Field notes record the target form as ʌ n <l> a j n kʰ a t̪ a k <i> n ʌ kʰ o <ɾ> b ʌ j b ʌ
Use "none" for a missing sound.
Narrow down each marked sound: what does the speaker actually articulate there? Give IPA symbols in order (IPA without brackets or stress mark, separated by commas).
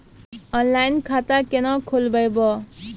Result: l, e, l